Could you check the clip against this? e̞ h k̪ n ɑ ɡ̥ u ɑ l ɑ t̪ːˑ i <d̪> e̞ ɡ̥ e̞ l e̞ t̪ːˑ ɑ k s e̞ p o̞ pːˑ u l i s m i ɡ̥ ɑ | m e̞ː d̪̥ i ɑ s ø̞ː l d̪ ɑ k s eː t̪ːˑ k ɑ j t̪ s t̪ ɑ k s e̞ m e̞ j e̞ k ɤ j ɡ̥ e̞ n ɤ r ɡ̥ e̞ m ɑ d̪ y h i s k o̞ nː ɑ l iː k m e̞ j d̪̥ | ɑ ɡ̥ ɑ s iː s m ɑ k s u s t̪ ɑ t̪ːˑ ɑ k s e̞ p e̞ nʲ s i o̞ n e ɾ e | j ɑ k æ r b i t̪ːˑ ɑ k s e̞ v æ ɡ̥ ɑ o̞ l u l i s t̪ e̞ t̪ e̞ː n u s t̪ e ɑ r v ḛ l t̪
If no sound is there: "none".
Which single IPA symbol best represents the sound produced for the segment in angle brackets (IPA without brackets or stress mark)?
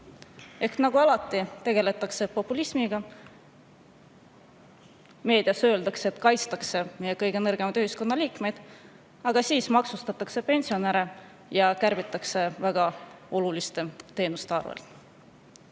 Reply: t̪